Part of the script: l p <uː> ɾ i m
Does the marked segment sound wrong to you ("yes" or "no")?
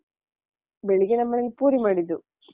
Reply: no